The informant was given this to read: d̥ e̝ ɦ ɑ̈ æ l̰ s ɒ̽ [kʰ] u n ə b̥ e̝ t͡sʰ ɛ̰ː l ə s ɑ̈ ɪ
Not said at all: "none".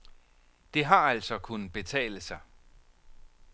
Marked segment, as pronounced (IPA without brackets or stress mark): kʰ